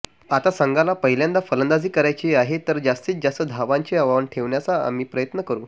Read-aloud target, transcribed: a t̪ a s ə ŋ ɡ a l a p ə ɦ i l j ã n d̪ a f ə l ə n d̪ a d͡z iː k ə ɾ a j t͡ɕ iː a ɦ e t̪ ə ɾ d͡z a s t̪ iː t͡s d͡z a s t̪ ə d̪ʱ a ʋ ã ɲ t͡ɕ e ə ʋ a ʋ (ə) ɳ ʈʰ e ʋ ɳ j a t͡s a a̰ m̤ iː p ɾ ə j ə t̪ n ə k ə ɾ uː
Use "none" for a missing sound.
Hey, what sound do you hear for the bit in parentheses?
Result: ə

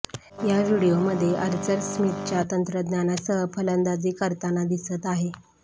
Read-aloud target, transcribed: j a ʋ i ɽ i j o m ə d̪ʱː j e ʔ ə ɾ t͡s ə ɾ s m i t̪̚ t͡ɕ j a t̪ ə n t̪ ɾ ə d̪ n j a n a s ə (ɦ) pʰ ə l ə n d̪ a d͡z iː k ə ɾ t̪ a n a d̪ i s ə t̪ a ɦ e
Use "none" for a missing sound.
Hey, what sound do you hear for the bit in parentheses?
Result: ɦ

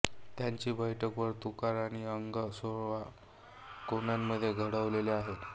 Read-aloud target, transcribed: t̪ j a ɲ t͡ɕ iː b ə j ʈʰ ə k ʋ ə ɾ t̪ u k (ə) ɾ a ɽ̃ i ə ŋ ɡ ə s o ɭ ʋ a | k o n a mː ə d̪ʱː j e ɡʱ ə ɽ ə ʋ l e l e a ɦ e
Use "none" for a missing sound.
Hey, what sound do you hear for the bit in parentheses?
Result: a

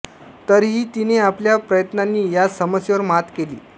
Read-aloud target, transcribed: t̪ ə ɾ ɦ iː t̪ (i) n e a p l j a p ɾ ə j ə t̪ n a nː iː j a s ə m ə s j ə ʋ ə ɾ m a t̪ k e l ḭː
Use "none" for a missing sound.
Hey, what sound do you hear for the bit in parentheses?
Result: i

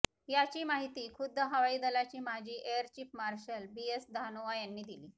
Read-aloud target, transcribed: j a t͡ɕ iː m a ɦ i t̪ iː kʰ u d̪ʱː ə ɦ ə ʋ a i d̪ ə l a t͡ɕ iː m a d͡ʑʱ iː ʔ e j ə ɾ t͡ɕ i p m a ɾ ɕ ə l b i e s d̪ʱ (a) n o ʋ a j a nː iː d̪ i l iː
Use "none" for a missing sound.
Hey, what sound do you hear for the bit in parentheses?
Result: a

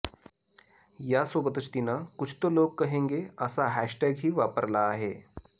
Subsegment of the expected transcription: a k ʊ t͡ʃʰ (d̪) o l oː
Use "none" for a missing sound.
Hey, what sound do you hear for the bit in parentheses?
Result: t̪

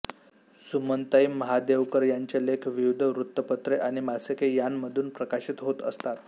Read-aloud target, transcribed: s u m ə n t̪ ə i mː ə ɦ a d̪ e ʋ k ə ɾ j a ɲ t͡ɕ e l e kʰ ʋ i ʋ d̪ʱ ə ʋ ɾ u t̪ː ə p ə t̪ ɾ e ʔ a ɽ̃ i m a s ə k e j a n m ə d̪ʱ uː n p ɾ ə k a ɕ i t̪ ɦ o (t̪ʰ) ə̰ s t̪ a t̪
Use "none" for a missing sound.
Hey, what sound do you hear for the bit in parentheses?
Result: t̪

